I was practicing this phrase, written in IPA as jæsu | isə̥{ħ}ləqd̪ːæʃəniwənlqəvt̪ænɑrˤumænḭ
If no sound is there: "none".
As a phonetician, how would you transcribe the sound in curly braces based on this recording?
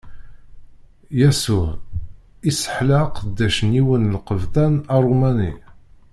ħ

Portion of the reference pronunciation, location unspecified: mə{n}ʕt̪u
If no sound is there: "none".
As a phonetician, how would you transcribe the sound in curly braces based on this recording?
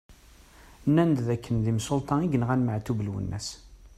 none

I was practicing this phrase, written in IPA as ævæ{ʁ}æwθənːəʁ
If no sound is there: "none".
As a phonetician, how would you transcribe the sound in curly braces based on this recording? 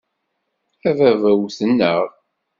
v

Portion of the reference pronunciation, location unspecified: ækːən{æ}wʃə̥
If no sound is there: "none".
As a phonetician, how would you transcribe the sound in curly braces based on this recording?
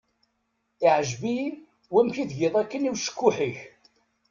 i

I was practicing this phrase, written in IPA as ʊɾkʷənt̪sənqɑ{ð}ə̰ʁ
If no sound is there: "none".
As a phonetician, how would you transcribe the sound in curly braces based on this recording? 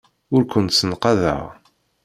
ð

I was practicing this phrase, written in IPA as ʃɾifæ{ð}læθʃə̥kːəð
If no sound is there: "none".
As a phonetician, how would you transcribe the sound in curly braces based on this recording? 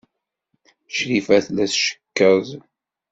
θ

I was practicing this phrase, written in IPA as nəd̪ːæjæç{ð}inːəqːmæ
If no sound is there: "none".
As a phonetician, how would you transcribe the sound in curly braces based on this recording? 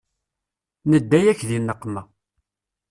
ð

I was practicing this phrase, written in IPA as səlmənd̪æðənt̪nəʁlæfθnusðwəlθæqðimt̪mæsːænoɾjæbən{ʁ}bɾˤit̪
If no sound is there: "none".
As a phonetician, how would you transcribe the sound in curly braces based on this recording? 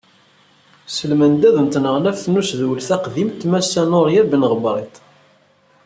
ʁ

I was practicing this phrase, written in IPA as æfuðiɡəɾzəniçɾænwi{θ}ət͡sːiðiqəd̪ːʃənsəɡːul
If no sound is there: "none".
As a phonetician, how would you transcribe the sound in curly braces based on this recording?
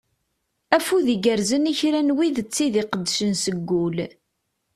ð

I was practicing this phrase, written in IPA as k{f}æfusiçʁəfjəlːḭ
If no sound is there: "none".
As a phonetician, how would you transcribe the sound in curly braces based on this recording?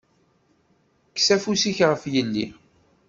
s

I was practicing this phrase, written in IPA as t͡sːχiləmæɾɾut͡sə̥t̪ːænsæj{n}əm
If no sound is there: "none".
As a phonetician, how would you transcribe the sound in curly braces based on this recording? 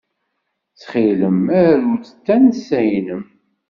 n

